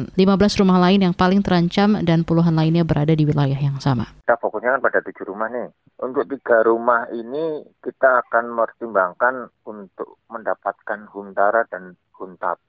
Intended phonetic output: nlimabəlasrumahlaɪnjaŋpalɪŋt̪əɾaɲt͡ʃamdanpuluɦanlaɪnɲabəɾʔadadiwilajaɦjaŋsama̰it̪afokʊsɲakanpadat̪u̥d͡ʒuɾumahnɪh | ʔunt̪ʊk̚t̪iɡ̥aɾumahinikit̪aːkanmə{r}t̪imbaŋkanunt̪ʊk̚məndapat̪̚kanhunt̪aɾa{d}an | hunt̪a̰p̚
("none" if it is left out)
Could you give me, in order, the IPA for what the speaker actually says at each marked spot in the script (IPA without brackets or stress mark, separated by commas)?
r, d